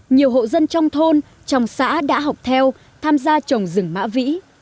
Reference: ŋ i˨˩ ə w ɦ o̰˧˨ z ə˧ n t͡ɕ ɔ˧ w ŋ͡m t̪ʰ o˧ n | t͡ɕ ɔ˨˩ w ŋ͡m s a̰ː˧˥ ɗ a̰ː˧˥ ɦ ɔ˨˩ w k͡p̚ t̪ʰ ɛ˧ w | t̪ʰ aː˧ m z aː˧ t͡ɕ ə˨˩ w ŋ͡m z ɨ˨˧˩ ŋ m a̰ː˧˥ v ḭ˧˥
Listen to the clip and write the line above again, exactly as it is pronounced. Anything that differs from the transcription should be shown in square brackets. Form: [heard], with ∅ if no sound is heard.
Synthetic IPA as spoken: [ɲ] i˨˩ ə w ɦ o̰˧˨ z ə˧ n t͡ɕ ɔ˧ w ŋ͡m t̪ʰ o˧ n | t͡ɕ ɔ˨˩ w ŋ͡m s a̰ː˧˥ ɗ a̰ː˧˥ ɦ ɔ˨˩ w k͡p̚ t̪ʰ ɛ˧ w | t̪ʰ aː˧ m z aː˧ t͡ɕ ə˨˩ w ŋ͡m z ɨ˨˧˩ ŋ m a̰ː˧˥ v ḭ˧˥